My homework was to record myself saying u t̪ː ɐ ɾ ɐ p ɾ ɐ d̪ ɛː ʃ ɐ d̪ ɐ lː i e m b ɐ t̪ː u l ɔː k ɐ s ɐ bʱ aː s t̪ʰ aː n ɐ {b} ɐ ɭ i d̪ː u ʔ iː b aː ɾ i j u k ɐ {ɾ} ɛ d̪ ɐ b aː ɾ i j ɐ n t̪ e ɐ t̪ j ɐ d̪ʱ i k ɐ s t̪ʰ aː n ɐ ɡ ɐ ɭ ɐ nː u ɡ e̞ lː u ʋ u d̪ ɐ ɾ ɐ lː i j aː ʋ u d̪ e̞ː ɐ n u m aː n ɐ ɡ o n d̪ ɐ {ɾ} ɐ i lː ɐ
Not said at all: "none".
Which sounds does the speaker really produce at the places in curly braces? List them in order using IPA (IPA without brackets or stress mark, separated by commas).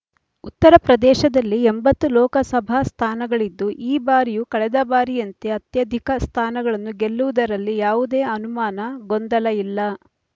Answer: ɡ, ɭ, l